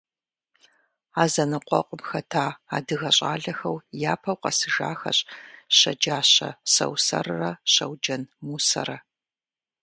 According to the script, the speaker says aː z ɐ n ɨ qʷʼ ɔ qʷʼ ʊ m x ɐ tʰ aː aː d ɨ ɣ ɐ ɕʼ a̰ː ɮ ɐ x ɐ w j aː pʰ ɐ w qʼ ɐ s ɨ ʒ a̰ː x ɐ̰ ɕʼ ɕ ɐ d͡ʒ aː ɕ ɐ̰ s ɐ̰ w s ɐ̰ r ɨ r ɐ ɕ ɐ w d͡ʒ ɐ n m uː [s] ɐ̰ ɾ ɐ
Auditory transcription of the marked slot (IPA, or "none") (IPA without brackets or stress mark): s